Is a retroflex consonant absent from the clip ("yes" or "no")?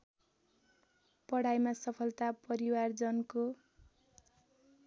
no